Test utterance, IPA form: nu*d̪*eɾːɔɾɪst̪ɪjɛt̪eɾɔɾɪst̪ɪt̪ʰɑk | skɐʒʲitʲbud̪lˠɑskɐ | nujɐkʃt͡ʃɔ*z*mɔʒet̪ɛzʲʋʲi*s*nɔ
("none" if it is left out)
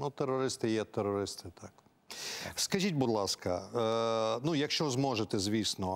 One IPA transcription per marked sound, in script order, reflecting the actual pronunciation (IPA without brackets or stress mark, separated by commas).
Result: t̪, z, s